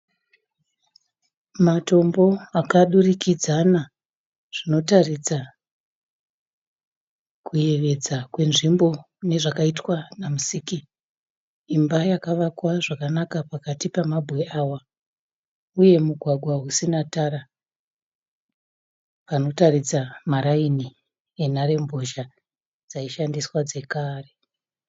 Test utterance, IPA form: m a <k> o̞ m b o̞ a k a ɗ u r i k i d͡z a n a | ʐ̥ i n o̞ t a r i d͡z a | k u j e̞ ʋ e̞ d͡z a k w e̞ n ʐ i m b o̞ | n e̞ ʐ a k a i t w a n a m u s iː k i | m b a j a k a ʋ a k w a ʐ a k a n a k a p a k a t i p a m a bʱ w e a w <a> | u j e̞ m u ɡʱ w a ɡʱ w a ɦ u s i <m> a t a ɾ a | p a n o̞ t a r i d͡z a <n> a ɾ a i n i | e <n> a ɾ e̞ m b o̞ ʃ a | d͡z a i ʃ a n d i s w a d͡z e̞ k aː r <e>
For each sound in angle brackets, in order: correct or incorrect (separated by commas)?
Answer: incorrect, correct, incorrect, incorrect, correct, correct